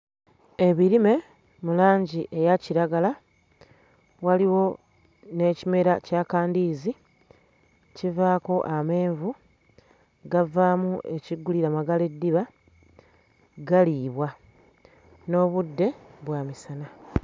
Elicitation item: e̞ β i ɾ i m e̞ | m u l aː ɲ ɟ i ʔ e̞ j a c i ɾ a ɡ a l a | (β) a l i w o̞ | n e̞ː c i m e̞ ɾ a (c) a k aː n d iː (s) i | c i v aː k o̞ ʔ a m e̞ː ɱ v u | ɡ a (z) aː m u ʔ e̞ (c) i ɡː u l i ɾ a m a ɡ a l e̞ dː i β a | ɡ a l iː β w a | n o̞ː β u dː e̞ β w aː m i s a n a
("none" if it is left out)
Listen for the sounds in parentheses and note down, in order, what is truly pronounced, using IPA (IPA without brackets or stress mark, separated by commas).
w, c, z, v, c